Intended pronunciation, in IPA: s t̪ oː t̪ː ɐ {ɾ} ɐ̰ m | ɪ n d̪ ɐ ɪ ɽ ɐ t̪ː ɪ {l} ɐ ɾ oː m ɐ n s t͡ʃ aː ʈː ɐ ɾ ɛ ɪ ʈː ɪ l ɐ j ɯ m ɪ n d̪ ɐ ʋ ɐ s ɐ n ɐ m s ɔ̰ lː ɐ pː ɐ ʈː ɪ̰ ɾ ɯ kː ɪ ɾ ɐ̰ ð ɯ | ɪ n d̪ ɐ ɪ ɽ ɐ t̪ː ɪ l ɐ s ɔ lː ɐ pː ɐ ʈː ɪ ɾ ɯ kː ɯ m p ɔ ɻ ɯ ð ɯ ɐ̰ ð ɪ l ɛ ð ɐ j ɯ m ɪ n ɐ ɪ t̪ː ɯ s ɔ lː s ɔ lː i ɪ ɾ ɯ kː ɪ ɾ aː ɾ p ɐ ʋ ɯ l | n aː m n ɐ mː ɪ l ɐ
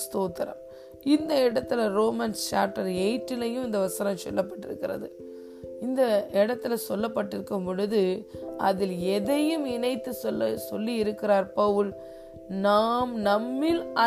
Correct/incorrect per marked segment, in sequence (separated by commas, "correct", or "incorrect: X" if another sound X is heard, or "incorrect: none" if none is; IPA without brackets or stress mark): correct, correct